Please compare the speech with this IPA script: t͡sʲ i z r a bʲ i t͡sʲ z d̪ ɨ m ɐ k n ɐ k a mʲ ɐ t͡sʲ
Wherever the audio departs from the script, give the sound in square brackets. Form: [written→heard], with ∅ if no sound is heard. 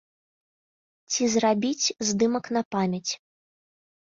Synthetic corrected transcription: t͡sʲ i z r a bʲ i t͡sʲ z d̪ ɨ m ɐ k n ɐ [k→p] a mʲ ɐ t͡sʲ